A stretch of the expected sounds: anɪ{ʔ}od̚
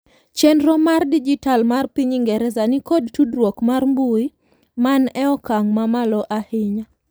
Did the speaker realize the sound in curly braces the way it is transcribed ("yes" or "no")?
no